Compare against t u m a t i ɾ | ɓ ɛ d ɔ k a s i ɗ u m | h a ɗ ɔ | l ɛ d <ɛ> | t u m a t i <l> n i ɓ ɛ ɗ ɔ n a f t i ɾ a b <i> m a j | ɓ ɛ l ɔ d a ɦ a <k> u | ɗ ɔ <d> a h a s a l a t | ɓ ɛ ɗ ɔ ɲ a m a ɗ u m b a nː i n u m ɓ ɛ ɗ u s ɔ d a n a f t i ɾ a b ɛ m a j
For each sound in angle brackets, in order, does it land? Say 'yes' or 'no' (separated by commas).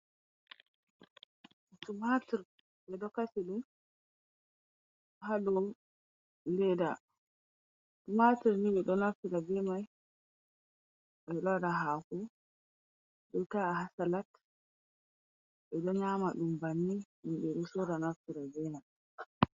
no, no, no, yes, no